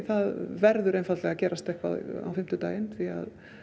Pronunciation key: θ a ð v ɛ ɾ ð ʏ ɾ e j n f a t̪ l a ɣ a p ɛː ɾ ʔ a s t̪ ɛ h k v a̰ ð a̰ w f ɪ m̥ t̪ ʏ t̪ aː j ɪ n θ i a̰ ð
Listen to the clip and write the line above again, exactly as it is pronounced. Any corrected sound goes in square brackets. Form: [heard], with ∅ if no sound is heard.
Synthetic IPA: θ a ð v ɛ ɾ ð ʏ ɾ e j n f a t̪ l [ɛ] ɣ a [c] ɛː ɾ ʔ a s t̪ ɛ h k v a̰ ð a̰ w f ɪ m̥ t̪ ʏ t̪ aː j ɪ n θ i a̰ ð